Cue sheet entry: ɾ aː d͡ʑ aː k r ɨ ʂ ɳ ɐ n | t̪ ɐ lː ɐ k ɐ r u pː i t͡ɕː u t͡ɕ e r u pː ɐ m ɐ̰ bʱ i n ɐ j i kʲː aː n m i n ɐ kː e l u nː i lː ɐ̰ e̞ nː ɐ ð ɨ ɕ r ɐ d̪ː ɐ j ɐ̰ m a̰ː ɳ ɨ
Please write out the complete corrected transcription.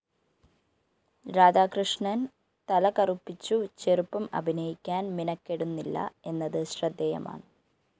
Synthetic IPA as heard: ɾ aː d͡ʑ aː k r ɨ ʂ ɳ ɐ n | t̪ ɐ l ɐ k ɐ r u pː i t͡ɕː u t͡ɕ e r u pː ɐ m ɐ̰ bʱ i n ɐ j i kʲː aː n m i n ɐ kː e ɽ u nː i lː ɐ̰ e̞ nː ɐ ð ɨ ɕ r ɐ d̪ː ɐ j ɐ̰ m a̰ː ɳ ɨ

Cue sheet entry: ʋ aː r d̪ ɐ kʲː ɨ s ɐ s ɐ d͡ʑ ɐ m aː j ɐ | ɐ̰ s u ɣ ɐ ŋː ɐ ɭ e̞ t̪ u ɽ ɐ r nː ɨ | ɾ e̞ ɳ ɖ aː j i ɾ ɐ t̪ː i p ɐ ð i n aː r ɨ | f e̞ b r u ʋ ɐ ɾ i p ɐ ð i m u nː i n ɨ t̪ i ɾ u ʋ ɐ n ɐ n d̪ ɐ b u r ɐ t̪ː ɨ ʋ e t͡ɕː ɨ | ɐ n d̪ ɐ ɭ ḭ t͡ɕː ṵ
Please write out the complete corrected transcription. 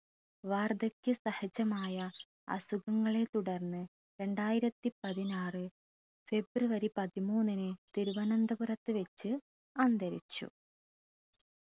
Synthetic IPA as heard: ʋ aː r d̪ ɐ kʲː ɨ s ɐ h ɐ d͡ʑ ɐ m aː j ɐ | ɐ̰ s u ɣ ɐ ŋː ɐ ɭ e̞ t̪ u ɽ ɐ r nː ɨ | ɾ e̞ ɳ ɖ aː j i ɾ ɐ t̪ː i p ɐ ð i n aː r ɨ | f e̞ b r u ʋ ɐ ɾ i p ɐ ð i m uː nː i n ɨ t̪ i ɾ u ʋ ɐ n ɐ n d̪ ɐ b u r ɐ t̪ː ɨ ʋ e t͡ɕː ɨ | ɐ n d̪ ɐ ɾ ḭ t͡ɕː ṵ

